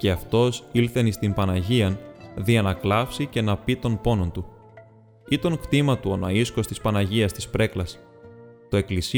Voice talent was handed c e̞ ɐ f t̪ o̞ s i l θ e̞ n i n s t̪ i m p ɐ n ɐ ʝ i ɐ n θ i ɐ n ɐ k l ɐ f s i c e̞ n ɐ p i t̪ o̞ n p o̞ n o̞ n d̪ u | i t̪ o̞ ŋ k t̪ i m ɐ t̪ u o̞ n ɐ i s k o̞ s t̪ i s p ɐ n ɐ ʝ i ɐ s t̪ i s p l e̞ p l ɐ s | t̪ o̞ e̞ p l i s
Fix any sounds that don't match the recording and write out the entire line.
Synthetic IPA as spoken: c e̞ ɐ f t̪ o̞ s i l θ e̞ n i s t̪ i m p ɐ n ɐ ʝ i ɐ n ð i ɐ n ɐ k l ɐ f s i c e̞ n ɐ p i t̪ o̞ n p o̞ n o̞ n t̪ u | i t̪ o̞ ŋ k t̪ i m ɐ t̪ u o̞ n ɐ i s k o̞ s t̪ i s p ɐ n ɐ ʝ i ɐ s t̪ i s p ɾ e̞ k l ɐ s | t̪ o̞ e̞ k l i s